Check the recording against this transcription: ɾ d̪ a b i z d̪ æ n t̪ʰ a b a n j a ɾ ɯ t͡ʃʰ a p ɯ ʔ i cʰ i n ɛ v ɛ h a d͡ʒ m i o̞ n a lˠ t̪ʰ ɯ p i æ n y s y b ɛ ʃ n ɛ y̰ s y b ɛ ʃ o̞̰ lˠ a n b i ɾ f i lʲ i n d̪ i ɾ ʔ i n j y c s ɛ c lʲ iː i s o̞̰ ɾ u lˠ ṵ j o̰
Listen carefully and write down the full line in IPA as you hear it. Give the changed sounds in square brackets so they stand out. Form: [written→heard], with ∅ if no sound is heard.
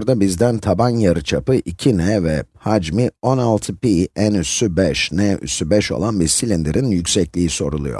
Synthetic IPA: ɾ d̪ a b i z d̪ æ n t̪ʰ a b a n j a ɾ ɯ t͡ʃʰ a p ɯ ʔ i cʰ i n ɛ v ɛ h a d͡ʒ m i o̞ n a lˠ t̪ʰ ɯ p i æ n y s y b ɛ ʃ n ɛ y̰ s y b ɛ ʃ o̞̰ lˠ a n b i ɾ [f→s] i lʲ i n d̪ i ɾ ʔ i n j y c s ɛ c lʲ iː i s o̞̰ ɾ u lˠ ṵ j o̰

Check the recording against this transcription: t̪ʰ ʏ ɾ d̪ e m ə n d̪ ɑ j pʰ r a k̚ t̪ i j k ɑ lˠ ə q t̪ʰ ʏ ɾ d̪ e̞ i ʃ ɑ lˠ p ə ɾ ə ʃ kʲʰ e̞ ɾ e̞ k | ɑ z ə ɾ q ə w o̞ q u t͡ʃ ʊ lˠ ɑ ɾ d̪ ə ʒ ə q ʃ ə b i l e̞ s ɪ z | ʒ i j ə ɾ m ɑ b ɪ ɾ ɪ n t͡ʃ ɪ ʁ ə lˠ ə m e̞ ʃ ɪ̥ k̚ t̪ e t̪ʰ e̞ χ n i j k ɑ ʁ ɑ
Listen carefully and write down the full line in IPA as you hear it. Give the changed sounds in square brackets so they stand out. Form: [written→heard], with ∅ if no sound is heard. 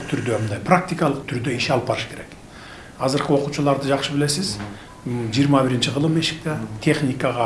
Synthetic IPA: t̪ʰ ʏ ɾ d̪ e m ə n d̪ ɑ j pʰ r a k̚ t̪ i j k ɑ lˠ ə q t̪ʰ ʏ ɾ d̪ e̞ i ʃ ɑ lˠ p [ə→ɑ] ɾ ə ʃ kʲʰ e̞ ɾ e̞ k | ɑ z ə ɾ q ə w o̞ q u t͡ʃ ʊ lˠ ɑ ɾ d̪ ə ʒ [ə→ɑ] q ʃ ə b [i→ɪ] l e̞ s ɪ z | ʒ i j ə ɾ m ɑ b ɪ ɾ ɪ n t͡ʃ ɪ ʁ ə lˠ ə m e̞ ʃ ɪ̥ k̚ t̪ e t̪ʰ e̞ χ n i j k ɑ ʁ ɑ

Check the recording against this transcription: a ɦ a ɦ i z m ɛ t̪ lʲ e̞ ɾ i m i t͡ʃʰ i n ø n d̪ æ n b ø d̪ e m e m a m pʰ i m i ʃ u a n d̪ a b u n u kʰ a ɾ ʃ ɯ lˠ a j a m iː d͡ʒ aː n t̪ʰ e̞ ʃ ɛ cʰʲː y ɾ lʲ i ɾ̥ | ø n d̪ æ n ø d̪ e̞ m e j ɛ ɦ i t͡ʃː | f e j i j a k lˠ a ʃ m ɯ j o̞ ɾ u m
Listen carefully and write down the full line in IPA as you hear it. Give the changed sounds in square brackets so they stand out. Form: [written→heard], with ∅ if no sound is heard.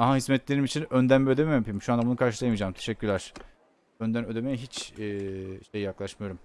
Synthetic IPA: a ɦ a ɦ i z m ɛ t̪ lʲ e̞ ɾ i m i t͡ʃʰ i n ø n d̪ æ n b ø d̪ e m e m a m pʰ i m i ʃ u a n d̪ a b u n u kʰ a ɾ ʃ ɯ lˠ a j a m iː d͡ʒ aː [n→m] t̪ʰ e̞ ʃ ɛ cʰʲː y ɾ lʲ [i→æ] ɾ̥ | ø n d̪ æ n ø d̪ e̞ m e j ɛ ɦ i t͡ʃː | [f→ʃ] e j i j a k lˠ a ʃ m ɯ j o̞ ɾ u m

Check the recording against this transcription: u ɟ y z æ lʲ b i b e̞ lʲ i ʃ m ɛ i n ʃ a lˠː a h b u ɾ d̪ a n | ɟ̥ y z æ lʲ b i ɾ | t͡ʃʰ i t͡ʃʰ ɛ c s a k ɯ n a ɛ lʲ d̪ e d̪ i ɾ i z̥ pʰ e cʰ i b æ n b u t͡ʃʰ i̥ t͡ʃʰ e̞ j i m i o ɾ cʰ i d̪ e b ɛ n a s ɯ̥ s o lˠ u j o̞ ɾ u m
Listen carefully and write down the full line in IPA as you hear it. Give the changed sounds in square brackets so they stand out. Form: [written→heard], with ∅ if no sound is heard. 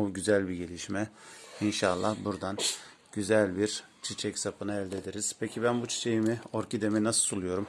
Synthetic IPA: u ɟ y z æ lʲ b i [b→ɟ] e̞ lʲ i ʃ m ɛ i n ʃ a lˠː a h b u ɾ d̪ a n | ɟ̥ y z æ lʲ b i ɾ | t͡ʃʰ i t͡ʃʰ ɛ c s a [k→p] ɯ n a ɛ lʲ d̪ e d̪ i ɾ i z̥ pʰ e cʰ i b æ n b u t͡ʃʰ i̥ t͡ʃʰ e̞ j i m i o ɾ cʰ i d̪ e [b→m] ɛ n a s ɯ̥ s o lˠ u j o̞ ɾ u m

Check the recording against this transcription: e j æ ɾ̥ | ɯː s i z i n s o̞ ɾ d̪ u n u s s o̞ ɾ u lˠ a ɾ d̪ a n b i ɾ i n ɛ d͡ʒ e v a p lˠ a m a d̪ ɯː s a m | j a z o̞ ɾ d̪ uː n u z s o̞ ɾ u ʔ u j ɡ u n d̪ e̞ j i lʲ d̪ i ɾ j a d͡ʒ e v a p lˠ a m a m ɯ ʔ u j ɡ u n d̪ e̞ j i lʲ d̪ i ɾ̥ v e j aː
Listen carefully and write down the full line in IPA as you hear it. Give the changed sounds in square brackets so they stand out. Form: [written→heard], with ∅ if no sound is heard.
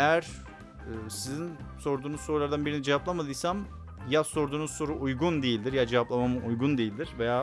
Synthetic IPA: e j æ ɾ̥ | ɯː s i z i n s o̞ ɾ d̪ [u→uː] n u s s o̞ ɾ u lˠ a ɾ d̪ a n b i ɾ i n [ɛ→i] d͡ʒ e v a p lˠ a m a d̪ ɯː s a m | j a [z→s] o̞ ɾ d̪ uː n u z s o̞ ɾ u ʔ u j ɡ u n d̪ e̞ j i lʲ d̪ i ɾ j a d͡ʒ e v a p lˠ a m a m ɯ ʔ u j ɡ u n d̪ e̞ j i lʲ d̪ i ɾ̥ v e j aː

